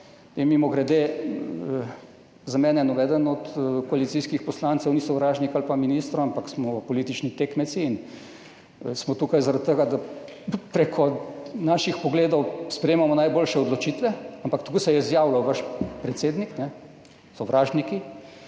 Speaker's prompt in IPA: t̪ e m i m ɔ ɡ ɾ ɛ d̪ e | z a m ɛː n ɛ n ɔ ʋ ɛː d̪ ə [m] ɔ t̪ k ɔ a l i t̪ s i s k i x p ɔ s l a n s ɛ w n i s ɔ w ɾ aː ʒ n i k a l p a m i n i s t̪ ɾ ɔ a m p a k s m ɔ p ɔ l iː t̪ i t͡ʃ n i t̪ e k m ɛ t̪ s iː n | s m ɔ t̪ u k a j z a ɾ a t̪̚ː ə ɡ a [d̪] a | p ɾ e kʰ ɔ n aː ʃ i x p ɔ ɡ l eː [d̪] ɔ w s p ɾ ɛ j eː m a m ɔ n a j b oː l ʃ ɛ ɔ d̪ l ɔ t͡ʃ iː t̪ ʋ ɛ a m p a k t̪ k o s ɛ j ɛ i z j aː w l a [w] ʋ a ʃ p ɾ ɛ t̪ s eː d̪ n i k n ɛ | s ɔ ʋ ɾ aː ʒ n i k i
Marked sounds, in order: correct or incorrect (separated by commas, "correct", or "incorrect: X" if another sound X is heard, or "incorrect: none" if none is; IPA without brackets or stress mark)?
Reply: incorrect: n, correct, correct, correct